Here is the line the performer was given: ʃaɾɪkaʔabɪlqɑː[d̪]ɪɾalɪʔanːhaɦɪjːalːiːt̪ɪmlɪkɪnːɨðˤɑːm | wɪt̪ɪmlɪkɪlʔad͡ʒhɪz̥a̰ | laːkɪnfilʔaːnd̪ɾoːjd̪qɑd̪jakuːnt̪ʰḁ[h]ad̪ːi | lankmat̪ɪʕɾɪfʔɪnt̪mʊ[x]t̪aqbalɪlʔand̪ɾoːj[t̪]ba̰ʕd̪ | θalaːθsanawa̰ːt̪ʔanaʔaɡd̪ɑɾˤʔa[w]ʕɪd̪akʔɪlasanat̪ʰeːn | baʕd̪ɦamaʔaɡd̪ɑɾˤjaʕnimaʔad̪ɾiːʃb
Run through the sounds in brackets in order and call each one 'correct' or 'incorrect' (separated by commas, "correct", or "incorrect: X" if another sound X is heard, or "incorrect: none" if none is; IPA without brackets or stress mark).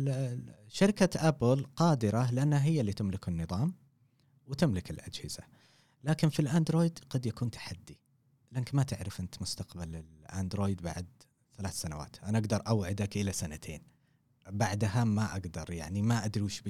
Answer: correct, incorrect: ħ, incorrect: s, incorrect: d̪, correct